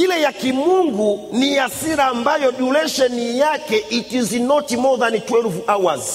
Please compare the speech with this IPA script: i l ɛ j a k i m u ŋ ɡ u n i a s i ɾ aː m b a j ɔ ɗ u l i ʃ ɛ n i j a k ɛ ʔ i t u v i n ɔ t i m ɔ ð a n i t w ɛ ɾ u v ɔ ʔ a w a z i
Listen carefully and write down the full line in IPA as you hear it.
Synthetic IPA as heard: i l ɛ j a k i m u ŋ ɡ u n i a s i ɾ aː m b a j ɔ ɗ u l ɛ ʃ ɛ n i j a k ɛ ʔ i t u z i n ɔ t i m ɔ ð a n i t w ɛ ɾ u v u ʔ a w a z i